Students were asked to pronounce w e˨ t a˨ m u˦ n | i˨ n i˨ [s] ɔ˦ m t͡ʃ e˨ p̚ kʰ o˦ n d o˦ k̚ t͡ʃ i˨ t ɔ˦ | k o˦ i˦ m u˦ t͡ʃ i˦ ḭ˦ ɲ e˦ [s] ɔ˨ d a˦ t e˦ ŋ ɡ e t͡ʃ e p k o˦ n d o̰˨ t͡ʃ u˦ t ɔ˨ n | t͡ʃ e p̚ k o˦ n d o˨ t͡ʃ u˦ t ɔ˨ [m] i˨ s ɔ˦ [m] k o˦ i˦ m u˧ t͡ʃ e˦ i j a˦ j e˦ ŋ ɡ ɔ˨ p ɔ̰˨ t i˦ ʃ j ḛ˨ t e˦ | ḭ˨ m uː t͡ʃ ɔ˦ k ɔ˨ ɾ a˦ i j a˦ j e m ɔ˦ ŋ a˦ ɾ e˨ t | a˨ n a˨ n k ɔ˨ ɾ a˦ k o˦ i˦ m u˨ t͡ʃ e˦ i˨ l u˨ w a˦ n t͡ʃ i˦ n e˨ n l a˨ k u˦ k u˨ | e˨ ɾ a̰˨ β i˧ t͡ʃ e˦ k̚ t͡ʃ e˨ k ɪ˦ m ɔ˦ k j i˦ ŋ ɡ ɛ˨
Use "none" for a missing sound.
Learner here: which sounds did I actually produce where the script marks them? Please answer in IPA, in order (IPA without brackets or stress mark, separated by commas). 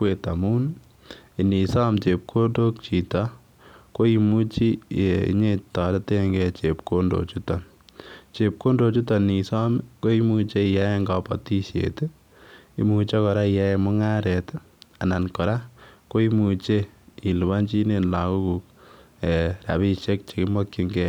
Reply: s, t, n, m